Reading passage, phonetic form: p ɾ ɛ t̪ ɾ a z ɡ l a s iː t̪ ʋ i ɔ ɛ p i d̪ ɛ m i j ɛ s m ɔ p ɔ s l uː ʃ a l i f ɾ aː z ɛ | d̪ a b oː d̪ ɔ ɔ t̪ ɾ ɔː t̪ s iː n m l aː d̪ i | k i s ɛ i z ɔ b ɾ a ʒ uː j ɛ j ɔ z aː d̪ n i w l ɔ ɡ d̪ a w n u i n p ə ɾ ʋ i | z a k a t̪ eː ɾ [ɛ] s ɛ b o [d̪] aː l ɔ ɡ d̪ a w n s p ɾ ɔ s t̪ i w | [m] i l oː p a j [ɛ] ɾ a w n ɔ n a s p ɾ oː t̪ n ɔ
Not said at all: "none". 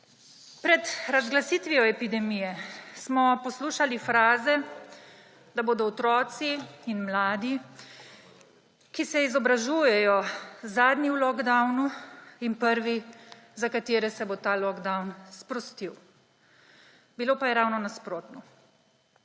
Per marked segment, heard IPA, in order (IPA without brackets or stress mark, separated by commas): ɛ, t̪, b, ɛ